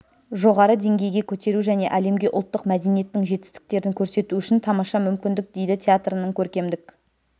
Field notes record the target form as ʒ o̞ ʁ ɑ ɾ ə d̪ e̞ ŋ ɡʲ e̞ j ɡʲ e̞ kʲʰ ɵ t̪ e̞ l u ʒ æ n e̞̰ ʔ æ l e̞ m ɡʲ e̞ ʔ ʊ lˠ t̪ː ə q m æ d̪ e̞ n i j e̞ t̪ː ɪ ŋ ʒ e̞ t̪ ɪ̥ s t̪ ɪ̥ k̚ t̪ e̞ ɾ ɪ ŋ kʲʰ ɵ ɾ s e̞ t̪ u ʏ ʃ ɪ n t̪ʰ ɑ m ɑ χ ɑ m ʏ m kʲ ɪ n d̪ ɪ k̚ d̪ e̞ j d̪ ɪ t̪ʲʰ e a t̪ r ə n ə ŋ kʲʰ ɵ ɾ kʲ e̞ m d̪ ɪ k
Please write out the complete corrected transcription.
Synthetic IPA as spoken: ʒ o̞ ʁ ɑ ɾ ə d̪ e̞ ŋ ɡʲ e̞ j ɡʲ e̞ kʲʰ ɵ t̪ e̞ ɾ u ʒ æ n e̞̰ ʔ æ l e̞ m ɡʲ e̞ ʔ ʊ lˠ t̪ː ə q m æ d̪ e̞ n i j e̞ t̪ː ɪ ŋ ʒ e̞ t̪ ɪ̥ s t̪ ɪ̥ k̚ t̪ e̞ ɾ ɪ ŋ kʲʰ ɵ ɾ s e̞ t̪ u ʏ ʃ ɪ n t̪ʰ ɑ m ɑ ʃ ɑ m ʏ m kʲ ɪ n d̪ ɪ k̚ d̪ e̞ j d̪ ɪ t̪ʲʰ e a t̪ r ə n ə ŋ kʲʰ ɵ ɾ kʲ e̞ m d̪ ɪ k